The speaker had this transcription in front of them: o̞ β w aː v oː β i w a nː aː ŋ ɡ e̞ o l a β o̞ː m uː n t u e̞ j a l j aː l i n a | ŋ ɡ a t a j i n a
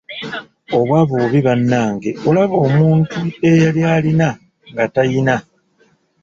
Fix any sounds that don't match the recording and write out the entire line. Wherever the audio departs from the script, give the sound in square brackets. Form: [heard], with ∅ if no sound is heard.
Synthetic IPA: o̞ β w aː [β] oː β i [β] a nː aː ŋ ɡ e̞ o l a β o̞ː m uː n t u e̞ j a l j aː l i n a | ŋ ɡ a t a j i n a